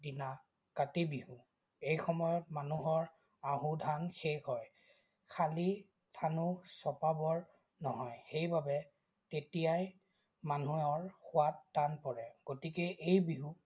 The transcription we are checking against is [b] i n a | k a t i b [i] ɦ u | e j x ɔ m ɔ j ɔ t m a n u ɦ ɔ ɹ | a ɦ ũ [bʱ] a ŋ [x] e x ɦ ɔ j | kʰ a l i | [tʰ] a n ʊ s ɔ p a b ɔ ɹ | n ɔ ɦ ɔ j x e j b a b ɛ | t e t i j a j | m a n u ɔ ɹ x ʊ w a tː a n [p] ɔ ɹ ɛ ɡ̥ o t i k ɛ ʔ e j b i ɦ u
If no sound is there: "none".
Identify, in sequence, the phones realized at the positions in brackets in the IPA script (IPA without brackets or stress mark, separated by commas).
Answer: d, i, dʱ, x, tʰ, p